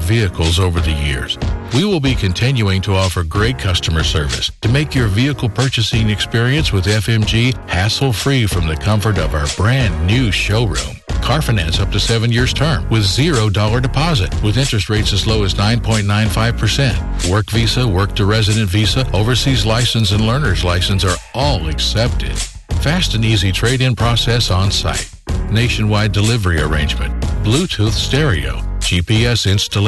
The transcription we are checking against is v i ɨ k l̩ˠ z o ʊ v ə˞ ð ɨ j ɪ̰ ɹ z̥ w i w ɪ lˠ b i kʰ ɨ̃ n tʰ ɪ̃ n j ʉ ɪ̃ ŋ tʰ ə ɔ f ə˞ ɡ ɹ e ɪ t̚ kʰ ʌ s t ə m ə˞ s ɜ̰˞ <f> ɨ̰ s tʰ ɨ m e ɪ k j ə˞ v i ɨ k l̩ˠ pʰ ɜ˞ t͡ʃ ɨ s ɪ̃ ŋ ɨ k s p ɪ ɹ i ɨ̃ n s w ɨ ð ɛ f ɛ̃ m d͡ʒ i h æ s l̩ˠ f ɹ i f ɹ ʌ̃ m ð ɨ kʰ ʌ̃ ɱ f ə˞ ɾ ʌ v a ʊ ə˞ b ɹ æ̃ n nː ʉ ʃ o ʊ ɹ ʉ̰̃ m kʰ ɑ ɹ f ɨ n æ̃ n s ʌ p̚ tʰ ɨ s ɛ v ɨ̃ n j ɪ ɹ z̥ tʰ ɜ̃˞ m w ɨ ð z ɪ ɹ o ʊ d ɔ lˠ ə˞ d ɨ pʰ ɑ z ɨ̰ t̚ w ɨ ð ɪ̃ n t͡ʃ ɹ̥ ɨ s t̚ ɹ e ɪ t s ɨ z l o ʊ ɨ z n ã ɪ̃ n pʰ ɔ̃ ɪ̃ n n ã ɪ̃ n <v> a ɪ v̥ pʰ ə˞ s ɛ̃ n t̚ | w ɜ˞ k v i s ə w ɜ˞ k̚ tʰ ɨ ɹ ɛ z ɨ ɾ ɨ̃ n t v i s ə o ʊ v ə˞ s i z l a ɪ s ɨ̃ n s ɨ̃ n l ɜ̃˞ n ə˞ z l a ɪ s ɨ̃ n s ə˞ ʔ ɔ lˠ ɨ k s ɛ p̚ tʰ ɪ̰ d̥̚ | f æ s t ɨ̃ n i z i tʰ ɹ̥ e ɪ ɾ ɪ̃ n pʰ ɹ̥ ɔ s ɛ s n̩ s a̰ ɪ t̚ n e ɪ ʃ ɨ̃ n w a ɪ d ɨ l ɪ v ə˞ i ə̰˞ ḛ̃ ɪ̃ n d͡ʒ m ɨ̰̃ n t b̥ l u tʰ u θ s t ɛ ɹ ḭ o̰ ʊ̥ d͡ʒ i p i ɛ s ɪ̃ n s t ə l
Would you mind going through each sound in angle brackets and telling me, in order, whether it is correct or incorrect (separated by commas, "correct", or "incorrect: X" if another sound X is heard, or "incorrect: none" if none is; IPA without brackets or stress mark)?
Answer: incorrect: v, incorrect: f